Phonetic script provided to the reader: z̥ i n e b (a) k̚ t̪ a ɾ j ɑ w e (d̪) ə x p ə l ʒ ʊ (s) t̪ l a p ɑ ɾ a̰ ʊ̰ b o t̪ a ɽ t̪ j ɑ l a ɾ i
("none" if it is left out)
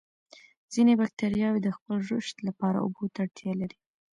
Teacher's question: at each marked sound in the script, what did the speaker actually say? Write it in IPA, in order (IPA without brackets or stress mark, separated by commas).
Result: a, d̪, ʃ